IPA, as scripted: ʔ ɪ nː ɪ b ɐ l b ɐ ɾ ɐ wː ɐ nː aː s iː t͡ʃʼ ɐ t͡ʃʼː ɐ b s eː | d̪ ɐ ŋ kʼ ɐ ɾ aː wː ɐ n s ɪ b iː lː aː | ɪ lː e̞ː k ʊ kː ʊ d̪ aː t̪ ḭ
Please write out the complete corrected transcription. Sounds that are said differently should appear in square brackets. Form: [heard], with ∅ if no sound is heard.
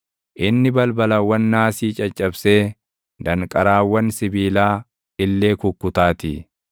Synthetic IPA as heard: ʔ ɪ nː ɪ b ɐ l b ɐ [l] ɐ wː ɐ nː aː s iː t͡ʃʼ ɐ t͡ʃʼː ɐ b s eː | d̪ ɐ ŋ kʼ ɐ ɾ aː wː ɐ n s ɪ b iː [l] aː | ɪ lː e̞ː k ʊ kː ʊ [t̪] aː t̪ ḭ